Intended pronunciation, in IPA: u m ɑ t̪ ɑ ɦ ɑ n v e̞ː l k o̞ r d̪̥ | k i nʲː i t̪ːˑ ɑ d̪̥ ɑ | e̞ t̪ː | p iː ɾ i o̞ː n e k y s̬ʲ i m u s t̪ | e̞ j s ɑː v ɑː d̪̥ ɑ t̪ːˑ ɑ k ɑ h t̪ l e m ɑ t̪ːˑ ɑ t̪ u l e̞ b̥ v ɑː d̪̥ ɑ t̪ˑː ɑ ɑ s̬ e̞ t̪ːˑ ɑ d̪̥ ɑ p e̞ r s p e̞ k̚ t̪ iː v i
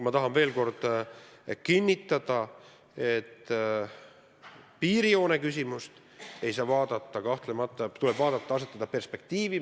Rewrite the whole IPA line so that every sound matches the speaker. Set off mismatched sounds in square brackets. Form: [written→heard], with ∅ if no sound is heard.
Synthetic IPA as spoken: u m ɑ t̪ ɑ ɦ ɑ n v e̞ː l k o̞ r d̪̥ | k i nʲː i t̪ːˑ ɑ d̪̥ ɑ | e̞ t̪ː | p iː ɾ i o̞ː n e k y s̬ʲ i m u s t̪ | e̞ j s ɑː v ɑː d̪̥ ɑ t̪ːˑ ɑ k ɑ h t̪ l e m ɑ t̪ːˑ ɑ t̪ u l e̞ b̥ v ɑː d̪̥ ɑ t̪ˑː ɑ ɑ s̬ e̞ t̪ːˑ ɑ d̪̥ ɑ p e̞ r s p e̞ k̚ t̪ iː v i